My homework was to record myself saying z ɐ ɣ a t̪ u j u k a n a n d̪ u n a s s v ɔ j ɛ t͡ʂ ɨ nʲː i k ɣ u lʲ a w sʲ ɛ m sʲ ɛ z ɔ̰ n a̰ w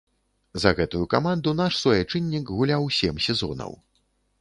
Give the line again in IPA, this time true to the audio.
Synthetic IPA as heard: z ɐ ɣ ɛ t̪ u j u k a m a n d̪ u n a ʂ s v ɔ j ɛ t͡ʂ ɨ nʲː i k ɣ u lʲ a w sʲ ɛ m sʲ ɛ z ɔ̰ n ɐ̰ w